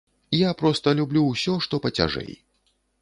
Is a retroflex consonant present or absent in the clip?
present